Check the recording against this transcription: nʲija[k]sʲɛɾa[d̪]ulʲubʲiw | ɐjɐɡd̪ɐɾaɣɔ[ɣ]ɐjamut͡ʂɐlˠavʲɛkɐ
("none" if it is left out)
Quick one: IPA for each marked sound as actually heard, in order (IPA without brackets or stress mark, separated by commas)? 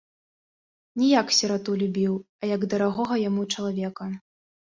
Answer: k, t̪, ɣ